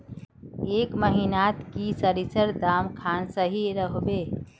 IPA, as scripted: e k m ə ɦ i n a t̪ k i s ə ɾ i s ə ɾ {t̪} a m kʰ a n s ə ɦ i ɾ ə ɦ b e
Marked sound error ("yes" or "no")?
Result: yes